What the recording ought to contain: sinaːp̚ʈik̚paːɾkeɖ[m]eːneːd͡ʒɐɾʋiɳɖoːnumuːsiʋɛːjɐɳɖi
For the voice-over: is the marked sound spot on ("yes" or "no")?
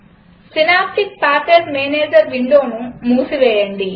yes